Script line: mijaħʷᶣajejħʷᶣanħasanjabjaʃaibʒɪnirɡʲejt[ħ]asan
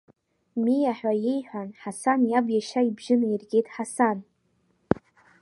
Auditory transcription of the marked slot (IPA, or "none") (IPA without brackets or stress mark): ħ